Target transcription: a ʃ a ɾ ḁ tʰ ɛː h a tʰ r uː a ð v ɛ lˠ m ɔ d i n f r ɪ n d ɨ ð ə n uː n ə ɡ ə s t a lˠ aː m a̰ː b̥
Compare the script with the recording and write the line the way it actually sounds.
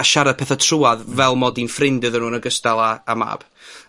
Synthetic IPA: a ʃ a ɾ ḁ pʰ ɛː θ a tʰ r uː a ð v ɛ lˠ m ɔ d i n f r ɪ n d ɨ ð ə n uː n ə ɡ ə s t a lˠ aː m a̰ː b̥

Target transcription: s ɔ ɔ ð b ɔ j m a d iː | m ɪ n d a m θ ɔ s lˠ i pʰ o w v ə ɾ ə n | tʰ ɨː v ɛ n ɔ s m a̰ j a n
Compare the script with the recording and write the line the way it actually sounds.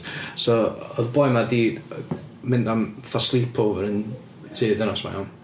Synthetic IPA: s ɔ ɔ ð b ɔ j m a d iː | m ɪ n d a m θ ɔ s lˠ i pʰ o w v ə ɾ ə n | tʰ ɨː ð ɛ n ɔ s m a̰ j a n

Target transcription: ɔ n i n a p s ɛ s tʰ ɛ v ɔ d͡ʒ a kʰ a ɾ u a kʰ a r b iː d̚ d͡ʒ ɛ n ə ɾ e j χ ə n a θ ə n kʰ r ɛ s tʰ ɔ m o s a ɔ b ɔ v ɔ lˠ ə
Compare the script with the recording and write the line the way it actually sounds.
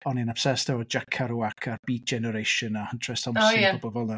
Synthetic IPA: ɔ n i n a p s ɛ s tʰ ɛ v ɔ d͡ʒ a kʰ a ɾ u a kʰ a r b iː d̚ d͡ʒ ɛ n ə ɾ e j ʃ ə n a h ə n tʰ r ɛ s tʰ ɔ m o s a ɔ b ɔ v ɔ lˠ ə

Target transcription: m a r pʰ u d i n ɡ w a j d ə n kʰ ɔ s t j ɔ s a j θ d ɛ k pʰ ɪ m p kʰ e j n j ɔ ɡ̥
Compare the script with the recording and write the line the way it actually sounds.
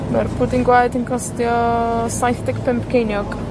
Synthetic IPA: m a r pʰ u d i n ɡ w a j d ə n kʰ ɔ s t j ɔ s a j θ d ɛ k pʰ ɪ m p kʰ e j n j ɔ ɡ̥

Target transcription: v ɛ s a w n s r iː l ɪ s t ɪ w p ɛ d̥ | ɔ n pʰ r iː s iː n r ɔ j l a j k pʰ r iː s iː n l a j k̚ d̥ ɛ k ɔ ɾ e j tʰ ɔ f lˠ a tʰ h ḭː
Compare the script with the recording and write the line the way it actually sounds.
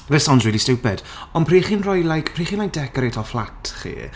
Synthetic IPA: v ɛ s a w n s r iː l i s t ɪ w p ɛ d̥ | ɔ n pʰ r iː χ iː n r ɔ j l a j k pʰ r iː χ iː n l a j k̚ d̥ ɛ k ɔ ɾ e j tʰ ɔ f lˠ a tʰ χ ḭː

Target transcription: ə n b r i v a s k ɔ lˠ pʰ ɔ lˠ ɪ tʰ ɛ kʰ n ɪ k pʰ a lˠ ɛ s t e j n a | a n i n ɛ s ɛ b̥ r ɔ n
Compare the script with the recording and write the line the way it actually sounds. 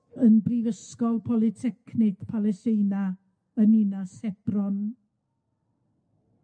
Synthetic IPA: ə n b r i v ə s k ɔ lˠ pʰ ɔ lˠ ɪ tʰ ɛ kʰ n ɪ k pʰ a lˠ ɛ s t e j n a | ə n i n a s ɛ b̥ r ɔ n

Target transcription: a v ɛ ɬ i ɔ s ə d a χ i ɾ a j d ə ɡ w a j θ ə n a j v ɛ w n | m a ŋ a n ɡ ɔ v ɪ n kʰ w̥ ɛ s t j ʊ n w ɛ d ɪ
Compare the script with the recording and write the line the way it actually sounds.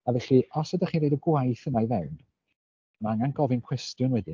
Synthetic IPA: a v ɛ ɬ i ɔ s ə d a χ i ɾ e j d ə ɡ w a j θ ə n a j v ɛ w n | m a ŋ a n ɡ ɔ v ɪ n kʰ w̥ ɛ s t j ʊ n w ɛ d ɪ

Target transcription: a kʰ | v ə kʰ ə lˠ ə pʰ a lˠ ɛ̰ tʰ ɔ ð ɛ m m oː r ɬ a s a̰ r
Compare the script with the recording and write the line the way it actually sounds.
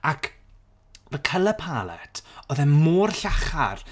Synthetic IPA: a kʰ | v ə kʰ ə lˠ ə pʰ a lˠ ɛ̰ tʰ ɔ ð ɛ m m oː r ɬ a χ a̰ r

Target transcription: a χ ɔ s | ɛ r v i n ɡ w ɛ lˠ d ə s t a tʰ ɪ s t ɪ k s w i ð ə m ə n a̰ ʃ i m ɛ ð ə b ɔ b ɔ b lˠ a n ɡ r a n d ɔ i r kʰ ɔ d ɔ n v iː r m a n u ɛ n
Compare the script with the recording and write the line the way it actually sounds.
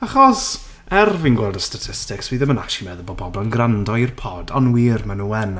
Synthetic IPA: a χ ɔ s | ɛ r v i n ɡ w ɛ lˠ d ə s t a tʰ ɪ s t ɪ k s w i ð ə m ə n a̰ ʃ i m ɛ ð ə b ɔ b ɔ b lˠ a n ɡ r a n d ɔ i r pʰ ɔ d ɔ n w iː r m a n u ɛ n

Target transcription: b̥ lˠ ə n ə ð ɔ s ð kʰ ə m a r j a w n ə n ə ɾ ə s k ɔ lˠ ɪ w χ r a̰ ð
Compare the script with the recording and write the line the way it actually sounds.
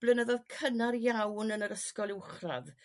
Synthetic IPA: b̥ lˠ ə n ə ð ɔ ð kʰ ə n a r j a w n ə n ə ɾ ə s k ɔ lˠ ɪ w χ r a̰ ð

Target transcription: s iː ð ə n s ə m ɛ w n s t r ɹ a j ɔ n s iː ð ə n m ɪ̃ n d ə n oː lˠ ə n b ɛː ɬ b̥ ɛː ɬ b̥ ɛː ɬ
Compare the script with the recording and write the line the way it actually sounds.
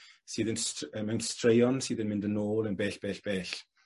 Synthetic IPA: s iː ð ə n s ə m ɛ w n s t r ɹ e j ɔ n s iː ð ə n m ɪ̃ n d ə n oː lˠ ə n b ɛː ɬ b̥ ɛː ɬ b̥ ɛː ɬ

